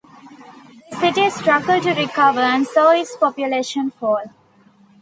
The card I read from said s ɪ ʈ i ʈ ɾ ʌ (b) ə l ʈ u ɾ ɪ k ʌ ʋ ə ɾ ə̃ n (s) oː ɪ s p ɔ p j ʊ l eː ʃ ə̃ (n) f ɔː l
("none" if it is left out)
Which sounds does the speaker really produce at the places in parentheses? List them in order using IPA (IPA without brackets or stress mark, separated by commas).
ɡ, s, n